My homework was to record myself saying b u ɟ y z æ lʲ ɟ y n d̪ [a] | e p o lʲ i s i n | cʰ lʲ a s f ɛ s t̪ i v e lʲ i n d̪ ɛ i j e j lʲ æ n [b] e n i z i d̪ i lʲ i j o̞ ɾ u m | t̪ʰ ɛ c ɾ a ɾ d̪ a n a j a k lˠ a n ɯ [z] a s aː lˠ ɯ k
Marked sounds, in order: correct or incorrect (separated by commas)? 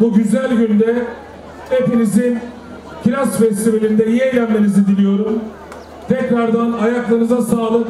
incorrect, incorrect, correct